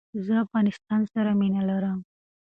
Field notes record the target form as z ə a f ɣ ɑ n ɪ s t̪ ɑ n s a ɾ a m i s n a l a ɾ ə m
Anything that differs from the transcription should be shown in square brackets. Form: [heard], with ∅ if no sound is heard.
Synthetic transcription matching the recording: z ə a f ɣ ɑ n ɪ s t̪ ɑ n s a ɾ a m i [∅] n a l a ɾ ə m